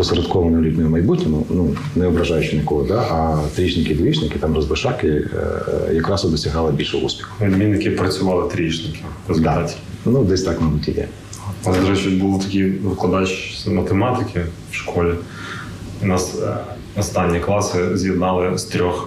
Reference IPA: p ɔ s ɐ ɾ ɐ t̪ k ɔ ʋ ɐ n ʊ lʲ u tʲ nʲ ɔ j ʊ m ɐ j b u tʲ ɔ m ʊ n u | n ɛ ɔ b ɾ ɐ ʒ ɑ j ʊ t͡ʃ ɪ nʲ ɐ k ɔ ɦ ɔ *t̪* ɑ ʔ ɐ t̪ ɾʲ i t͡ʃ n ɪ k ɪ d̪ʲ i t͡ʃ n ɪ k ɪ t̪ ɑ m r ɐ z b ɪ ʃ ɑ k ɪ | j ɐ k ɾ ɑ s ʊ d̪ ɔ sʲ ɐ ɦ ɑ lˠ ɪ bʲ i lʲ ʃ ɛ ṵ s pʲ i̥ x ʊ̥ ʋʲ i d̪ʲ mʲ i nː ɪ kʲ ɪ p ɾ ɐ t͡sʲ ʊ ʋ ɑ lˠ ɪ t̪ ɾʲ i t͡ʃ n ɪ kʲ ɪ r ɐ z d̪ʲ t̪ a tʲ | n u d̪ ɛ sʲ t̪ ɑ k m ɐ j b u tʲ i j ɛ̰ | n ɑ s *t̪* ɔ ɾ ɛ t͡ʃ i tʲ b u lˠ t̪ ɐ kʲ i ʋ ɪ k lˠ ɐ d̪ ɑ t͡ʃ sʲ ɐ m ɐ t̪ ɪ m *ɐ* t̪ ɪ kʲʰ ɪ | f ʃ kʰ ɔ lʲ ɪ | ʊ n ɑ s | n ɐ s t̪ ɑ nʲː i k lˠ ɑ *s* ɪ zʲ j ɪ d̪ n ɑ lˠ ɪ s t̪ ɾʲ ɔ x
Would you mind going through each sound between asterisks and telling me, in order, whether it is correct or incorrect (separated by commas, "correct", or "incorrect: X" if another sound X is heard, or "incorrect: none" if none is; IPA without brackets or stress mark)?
incorrect: d̪, incorrect: d̪, incorrect: ɑ, correct